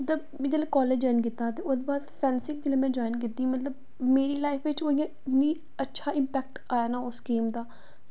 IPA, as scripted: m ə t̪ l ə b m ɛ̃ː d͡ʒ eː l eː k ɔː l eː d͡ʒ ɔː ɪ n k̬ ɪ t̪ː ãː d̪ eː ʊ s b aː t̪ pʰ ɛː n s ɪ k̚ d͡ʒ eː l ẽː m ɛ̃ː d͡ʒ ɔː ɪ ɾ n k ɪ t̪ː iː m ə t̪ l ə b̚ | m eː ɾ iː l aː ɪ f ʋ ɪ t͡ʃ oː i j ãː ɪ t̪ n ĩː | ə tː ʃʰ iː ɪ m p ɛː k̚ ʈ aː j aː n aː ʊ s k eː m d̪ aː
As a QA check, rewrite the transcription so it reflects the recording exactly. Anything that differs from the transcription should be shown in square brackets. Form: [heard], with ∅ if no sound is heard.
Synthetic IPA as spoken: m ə t̪ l ə b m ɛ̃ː d͡ʒ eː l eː k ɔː l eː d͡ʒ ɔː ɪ n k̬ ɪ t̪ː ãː [t̪] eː ʊ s b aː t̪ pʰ ɛː n s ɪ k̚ d͡ʒ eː l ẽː m ɛ̃ː d͡ʒ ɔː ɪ [∅] n k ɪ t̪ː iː m ə t̪ l ə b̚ | m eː ɾ iː l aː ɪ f ʋ ɪ t͡ʃ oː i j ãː ɪ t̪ n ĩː | ə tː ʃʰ [aː] ɪ m p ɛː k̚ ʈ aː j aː n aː ʊ s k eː m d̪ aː